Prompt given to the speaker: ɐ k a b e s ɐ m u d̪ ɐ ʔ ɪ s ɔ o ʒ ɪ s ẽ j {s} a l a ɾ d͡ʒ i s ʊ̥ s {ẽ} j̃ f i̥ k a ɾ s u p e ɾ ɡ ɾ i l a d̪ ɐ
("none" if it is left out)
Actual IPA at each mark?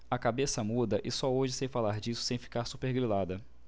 f, ẽ

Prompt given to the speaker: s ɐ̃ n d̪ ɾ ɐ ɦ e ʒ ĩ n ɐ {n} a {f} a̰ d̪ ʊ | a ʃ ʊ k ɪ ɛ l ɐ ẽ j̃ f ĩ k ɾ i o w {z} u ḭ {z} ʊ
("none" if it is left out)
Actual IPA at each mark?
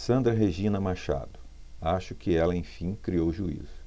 m, ʃ, ʒ, z

